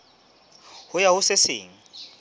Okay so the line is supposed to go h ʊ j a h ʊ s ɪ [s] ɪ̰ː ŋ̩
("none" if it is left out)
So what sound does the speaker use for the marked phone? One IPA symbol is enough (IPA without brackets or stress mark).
s